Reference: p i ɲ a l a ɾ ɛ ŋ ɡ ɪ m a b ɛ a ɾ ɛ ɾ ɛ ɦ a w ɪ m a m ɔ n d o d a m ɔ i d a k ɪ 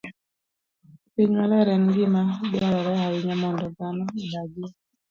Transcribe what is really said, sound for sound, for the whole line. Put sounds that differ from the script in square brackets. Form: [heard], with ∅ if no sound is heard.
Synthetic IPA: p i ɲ a l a ɾ ɛ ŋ ɡ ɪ m a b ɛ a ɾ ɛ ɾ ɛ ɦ a w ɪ [ɲ] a m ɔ n d [ɔ] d a [n] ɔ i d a [ɡ] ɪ